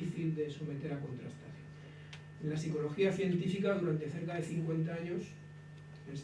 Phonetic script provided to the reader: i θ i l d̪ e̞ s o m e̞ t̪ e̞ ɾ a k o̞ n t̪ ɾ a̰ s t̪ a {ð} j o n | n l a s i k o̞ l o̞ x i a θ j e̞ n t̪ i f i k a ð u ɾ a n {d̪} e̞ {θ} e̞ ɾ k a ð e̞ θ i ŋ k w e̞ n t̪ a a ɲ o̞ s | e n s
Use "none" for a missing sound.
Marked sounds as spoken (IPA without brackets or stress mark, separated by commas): θ, t̪, θ